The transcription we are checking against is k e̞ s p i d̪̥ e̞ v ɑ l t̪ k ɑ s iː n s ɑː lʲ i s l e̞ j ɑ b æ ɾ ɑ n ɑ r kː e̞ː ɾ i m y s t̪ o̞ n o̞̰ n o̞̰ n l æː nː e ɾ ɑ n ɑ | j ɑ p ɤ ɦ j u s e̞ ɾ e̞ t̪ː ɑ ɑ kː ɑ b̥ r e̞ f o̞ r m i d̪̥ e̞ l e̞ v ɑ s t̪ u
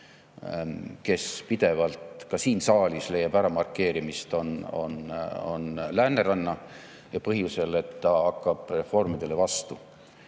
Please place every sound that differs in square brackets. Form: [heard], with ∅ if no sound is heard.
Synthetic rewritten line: k e̞ s p i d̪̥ e̞ v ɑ l t̪ k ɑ s iː n s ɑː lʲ i s l e̞ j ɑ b æ ɾ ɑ [m] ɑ r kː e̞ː ɾ i m [i] s t̪ o̞ n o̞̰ n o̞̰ n l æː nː e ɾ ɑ [nː] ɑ | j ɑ p ɤ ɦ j u s e̞ [l] e̞ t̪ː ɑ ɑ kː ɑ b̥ r e̞ f o̞ r m i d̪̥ e̞ l e̞ v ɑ s t̪ u